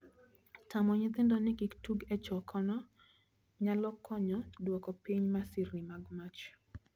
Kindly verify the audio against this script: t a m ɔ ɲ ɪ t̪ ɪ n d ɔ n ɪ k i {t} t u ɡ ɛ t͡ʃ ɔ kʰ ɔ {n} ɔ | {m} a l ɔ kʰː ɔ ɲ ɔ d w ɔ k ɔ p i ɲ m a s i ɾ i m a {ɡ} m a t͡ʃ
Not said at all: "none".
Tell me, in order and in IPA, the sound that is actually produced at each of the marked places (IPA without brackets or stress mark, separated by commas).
k, n, ɲ, ɡ